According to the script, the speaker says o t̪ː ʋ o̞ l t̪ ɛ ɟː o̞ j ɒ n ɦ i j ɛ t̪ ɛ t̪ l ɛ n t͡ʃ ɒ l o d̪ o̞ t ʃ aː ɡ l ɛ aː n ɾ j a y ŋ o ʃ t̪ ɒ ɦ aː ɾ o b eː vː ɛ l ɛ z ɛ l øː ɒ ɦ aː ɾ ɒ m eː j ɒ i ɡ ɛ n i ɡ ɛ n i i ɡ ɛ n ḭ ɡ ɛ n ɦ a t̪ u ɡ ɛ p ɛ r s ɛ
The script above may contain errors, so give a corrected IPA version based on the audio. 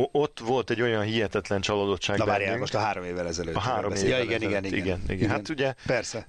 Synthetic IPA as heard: o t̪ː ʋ o̞ l t̪ ɛ ɟː o̞ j ɒ n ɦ i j ɛ t̪ ɛ t̪ l ɛ n t͡ʃ ɒ l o d̪ o̞ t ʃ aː ɡ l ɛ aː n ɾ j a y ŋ o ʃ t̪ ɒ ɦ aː ɾ o m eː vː ɛ l ɛ z ɛ l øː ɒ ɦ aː ɾ o m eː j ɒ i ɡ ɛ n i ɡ ɛ n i i ɡ ɛ n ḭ ɡ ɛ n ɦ a t̪ u ɟ ɛ p ɛ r s ɛ